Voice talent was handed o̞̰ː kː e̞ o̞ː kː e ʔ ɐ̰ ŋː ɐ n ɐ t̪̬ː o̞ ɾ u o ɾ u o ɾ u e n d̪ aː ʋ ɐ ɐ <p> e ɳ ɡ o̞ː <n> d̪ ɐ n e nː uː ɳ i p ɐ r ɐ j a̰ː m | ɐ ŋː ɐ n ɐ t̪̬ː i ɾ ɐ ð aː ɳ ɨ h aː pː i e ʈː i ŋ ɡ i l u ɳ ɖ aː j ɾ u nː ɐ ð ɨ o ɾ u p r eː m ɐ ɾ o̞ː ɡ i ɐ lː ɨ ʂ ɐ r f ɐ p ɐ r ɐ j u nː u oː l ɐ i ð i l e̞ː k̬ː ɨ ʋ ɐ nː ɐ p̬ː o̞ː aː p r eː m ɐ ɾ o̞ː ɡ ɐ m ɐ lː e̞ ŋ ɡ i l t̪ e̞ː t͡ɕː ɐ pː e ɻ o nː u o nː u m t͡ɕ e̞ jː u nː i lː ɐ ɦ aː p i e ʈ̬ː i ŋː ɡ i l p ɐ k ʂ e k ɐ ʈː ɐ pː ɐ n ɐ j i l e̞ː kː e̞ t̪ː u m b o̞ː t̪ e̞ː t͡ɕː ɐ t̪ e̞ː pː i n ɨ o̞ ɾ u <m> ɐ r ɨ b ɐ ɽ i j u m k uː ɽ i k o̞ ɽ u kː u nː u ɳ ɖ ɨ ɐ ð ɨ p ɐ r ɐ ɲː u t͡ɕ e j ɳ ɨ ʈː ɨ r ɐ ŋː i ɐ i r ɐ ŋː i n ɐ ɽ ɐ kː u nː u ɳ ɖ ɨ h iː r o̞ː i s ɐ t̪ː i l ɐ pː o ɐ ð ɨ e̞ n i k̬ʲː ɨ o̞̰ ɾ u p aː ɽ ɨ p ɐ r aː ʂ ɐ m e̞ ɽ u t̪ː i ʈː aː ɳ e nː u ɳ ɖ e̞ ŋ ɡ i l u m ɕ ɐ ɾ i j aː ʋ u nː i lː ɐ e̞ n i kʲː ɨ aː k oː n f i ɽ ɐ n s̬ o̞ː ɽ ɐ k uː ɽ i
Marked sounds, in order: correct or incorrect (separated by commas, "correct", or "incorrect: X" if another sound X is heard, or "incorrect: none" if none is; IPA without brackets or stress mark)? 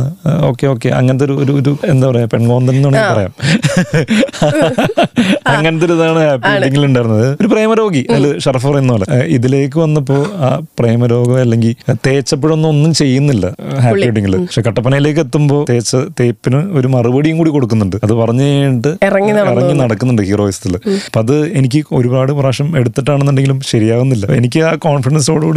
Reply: correct, correct, correct